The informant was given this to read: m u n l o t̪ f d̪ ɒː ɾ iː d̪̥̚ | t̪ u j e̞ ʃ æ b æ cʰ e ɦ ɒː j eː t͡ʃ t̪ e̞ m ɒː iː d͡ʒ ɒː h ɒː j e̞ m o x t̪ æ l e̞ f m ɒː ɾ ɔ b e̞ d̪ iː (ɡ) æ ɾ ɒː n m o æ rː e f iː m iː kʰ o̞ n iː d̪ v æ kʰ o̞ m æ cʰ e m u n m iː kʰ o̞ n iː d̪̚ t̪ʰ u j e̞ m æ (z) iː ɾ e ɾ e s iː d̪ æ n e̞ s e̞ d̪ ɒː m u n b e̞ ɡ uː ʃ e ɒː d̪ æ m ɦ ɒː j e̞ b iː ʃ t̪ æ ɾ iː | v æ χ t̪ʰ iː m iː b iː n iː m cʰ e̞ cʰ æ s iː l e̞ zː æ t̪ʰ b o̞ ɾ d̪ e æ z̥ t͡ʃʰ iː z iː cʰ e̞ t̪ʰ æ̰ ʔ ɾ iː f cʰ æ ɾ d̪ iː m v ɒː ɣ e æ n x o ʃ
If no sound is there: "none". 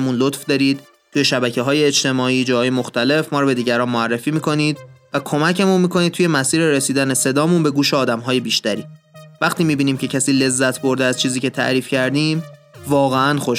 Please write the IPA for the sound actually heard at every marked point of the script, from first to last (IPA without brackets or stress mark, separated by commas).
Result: ɟ, s